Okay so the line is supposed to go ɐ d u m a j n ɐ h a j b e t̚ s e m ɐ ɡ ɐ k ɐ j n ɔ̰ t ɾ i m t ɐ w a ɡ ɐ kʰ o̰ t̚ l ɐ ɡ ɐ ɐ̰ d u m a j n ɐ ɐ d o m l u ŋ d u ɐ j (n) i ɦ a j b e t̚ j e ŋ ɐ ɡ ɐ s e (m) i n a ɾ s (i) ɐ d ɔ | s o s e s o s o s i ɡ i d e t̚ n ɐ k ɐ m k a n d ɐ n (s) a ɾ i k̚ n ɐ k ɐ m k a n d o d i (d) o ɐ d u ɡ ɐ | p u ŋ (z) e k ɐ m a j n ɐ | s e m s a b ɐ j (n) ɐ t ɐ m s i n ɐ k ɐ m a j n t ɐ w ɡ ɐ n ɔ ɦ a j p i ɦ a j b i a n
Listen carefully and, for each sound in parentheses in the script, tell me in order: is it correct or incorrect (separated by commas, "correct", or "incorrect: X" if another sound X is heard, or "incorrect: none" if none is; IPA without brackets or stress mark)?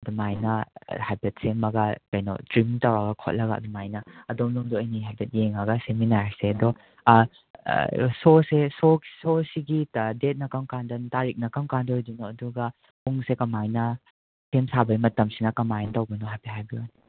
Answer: correct, correct, incorrect: e, incorrect: t, incorrect: n, incorrect: s, incorrect: m